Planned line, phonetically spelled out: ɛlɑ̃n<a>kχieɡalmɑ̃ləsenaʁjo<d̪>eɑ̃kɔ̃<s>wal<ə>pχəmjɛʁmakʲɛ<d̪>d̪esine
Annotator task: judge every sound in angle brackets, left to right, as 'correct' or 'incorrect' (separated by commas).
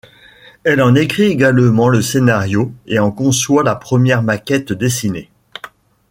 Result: incorrect, incorrect, correct, incorrect, incorrect